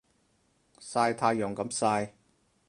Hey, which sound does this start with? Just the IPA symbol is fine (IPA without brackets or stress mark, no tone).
s